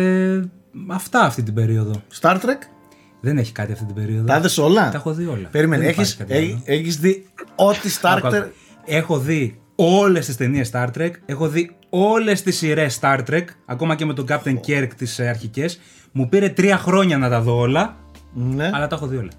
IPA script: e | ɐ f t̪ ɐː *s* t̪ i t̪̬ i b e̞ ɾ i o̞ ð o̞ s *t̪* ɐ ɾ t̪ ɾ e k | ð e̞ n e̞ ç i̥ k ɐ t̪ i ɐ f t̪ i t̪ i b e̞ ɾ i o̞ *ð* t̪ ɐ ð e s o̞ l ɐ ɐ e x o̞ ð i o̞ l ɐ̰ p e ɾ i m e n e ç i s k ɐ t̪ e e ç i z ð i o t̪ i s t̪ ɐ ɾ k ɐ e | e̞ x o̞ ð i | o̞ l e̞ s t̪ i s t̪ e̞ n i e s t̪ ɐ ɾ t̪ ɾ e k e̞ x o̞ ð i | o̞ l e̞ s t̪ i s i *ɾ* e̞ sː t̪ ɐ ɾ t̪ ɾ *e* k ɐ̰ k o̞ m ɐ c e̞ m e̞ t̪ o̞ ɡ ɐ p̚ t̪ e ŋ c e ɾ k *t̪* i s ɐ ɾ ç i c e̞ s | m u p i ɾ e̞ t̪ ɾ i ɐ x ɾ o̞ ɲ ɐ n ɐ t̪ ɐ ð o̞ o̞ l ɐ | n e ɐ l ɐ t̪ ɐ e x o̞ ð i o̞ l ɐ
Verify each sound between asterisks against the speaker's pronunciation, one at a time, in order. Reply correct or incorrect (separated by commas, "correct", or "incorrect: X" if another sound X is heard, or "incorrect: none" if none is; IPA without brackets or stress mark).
incorrect: f, correct, correct, correct, correct, correct